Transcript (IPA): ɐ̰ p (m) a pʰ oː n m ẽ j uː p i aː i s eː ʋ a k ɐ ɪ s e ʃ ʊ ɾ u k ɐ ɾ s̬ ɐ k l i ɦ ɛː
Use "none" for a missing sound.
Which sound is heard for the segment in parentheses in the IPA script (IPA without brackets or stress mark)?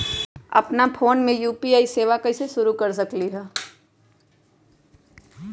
n